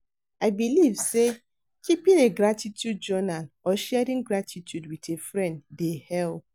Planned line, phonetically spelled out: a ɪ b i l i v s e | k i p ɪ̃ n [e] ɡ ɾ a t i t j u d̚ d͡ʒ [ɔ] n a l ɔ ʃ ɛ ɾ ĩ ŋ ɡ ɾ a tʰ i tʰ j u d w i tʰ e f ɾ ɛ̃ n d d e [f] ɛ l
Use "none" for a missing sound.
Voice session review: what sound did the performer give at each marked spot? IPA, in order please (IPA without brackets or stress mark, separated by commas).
e, ɔ, h